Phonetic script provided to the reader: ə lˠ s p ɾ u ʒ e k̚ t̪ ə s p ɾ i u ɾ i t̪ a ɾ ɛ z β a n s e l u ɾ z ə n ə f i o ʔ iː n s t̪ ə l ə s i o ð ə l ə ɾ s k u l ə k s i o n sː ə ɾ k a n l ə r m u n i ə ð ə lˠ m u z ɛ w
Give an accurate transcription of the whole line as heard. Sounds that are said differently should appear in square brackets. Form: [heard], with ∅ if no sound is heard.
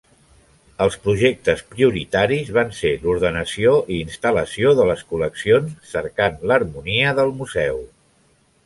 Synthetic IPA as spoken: ə lˠ s p ɾ u ʒ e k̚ t̪ ə s p ɾ i u ɾ i t̪ a ɾ [i] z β a n s e l u ɾ [ð] ə n ə [s] i o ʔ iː n s t̪ ə l ə s i o ð ə l ə [∅] s k u l ə k s i o n sː ə ɾ k a n l ə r m u n i ə ð ə lˠ m u z ɛ w